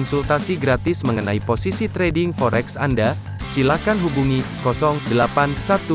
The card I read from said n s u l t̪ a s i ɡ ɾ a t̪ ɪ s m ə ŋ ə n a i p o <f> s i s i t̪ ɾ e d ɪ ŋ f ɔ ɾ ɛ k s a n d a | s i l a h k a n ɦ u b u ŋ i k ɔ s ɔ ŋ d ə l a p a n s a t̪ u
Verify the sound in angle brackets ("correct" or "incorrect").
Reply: incorrect